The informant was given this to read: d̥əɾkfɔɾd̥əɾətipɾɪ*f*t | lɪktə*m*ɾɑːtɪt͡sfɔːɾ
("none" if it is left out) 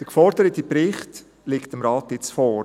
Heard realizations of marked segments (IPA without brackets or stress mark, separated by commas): χ, m